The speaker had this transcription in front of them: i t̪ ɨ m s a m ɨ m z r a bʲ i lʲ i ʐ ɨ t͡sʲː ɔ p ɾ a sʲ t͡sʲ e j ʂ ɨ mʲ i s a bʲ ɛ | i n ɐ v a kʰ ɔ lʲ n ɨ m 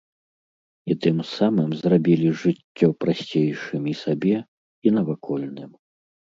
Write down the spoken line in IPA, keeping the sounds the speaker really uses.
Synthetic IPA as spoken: i t̪ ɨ m s a m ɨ m z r a bʲ i lʲ i ʐ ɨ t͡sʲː ɔ p ɾ a sʲ t͡sʲ e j ʂ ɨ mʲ i s a bʲ ɛ | i n ɐ v a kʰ ɔ lʲ n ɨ m

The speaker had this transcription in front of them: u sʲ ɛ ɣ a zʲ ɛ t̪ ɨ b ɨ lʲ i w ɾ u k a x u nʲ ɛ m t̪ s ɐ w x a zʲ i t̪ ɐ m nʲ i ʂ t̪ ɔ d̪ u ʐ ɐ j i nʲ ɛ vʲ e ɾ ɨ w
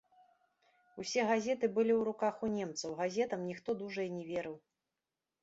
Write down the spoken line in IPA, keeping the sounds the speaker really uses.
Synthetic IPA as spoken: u sʲ ɛ ɣ a zʲ ɛ t̪ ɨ b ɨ lʲ i w ɾ u k a x u nʲ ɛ m t̪ s ɐ w ɣ a zʲ ɛ t̪ ɐ m nʲ i x t̪ ɔ d̪ u ʐ ɐ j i nʲ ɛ vʲ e ɾ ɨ w

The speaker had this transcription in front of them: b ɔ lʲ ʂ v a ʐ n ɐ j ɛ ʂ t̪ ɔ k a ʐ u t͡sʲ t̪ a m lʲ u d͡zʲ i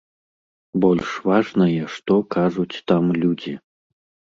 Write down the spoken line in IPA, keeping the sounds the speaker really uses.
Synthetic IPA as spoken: b ɔ lʲ ʂ v a ʐ n ɐ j ɛ ʂ t̪ ɔ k a ʐ u t͡sʲ t̪ a m lʲ u d͡zʲ i

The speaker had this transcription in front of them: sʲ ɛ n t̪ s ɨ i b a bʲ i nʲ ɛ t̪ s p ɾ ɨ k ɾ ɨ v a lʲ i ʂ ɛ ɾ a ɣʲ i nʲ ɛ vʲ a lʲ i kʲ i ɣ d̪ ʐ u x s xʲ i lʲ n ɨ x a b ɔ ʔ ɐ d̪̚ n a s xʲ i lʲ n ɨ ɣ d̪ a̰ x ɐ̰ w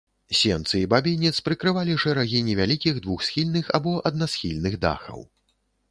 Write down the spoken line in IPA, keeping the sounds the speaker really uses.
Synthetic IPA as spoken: sʲ ɛ n t̪ s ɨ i b a bʲ i nʲ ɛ t̪ s p ɾ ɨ k ɾ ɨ v a lʲ i ʂ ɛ ɾ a ɣʲ i nʲ ɛ vʲ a lʲ i kʲ i ɣ d̪ v u x s xʲ i lʲ n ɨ x a b ɔ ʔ ɐ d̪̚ n a s xʲ i lʲ n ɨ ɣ d̪ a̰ x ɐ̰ w

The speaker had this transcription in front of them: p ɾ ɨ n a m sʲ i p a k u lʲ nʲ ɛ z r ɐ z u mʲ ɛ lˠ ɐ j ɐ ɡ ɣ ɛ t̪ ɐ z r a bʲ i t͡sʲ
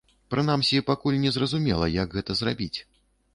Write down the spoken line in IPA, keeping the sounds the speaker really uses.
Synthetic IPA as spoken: p ɾ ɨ n a m sʲ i p a k u lʲ nʲ ɛ z r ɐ z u mʲ ɛ lˠ ɐ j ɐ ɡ ɣ ɛ t̪ ɐ z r a bʲ i t͡sʲ

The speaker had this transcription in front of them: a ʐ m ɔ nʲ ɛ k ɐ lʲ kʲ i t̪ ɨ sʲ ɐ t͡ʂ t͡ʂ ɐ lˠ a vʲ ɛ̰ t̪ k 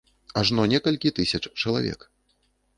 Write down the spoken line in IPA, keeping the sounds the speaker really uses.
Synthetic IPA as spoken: a ʐ n ɔ nʲ ɛ k ɐ lʲ kʲ i t̪ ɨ sʲ ɐ t͡ʂ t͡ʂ ɐ lˠ a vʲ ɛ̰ k

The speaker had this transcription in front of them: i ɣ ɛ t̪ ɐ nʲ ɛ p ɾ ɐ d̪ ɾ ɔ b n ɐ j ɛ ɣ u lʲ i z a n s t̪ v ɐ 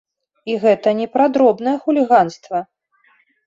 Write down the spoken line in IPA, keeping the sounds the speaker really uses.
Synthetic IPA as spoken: i ɣ ɛ t̪ ɐ nʲ ɛ p ɾ a d̪ ɾ ɔ b n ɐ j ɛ x u lʲ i ɣ a n s t̪ v ɐ

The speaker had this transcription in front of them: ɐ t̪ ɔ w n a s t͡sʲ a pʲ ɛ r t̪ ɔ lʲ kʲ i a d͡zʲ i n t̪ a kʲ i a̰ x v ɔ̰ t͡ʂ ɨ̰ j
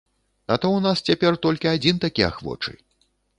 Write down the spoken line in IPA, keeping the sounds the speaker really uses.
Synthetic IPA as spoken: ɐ t̪ ɔ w n a s t͡sʲ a pʲ ɛ r t̪ ɔ lʲ kʲ i a d͡zʲ i n t̪ a kʲ i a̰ x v ɔ̰ t͡ʂ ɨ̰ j

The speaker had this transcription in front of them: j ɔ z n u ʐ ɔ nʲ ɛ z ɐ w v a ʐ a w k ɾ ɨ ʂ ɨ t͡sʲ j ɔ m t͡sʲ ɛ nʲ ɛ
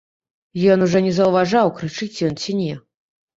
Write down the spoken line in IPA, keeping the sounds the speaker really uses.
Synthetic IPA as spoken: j ɔ n u ʐ ɔ nʲ ɛ z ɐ w v a ʐ a w k ɾ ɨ t͡ʂ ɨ t͡sʲ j ɔ n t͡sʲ i nʲ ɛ

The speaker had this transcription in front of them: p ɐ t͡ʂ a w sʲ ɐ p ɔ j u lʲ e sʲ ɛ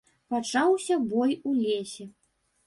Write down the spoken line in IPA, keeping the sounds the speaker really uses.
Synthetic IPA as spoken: p a t͡ʂ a w sʲ ɐ b ɔ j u lʲ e sʲ ɛ

